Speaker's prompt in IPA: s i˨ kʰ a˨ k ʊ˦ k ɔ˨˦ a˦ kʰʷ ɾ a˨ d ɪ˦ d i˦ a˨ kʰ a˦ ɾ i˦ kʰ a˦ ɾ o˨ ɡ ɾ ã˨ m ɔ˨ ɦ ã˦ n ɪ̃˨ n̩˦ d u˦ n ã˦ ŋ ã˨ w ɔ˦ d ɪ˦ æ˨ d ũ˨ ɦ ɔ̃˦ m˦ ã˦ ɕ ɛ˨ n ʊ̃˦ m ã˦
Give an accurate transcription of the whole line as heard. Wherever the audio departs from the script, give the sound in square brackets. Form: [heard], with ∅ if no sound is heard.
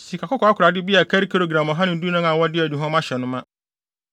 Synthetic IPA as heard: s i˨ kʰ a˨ k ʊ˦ k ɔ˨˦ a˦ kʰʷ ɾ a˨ d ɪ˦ [b] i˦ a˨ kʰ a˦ ɾ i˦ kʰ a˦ ɾ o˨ ɡ ɾ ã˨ m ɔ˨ ɦ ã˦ n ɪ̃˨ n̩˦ d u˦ n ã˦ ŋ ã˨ w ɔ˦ d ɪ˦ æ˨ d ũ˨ ɦ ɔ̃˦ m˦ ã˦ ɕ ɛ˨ n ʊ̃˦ m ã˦